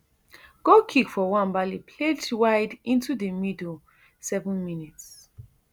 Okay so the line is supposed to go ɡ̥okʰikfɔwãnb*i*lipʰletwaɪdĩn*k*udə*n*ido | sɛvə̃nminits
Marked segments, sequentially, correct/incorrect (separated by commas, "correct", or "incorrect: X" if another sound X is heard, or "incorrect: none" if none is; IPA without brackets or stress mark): incorrect: a, incorrect: t, incorrect: m